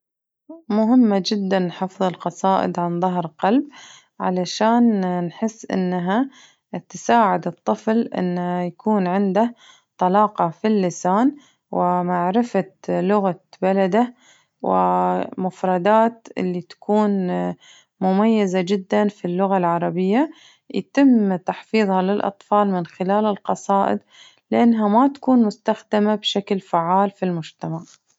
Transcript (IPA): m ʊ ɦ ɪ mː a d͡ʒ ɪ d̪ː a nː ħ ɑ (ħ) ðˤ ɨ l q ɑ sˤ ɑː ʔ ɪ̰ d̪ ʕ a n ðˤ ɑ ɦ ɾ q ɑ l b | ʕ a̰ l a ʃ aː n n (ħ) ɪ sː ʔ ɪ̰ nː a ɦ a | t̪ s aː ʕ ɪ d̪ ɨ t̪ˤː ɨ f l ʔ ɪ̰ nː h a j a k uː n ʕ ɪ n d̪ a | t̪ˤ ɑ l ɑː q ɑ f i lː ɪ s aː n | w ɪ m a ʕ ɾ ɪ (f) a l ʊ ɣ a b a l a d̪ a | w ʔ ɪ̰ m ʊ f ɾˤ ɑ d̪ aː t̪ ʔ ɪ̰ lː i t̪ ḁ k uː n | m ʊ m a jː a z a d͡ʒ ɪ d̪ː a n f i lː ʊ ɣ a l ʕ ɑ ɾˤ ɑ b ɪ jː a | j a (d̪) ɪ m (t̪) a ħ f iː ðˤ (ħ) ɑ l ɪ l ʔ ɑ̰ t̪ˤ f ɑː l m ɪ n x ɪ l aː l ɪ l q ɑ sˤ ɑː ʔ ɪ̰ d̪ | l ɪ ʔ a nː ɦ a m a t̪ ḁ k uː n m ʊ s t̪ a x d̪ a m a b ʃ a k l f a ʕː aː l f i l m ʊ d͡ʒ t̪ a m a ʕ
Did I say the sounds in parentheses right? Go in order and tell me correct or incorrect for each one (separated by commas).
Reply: incorrect, correct, correct, incorrect, correct, incorrect